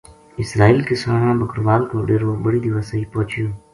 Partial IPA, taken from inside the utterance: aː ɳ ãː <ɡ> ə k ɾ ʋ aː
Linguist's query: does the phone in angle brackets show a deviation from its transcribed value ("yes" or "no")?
yes